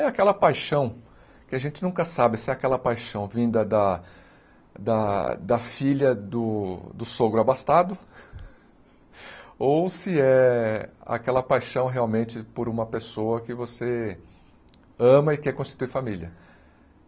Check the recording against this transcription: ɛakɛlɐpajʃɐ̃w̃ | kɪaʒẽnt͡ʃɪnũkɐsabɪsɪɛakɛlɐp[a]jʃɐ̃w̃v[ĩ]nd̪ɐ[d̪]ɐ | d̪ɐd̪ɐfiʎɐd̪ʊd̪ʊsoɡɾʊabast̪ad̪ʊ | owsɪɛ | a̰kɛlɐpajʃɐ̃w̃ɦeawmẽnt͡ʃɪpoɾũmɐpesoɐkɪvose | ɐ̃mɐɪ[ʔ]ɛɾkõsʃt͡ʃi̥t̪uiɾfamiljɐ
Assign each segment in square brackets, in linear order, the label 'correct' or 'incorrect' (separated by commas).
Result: correct, correct, correct, incorrect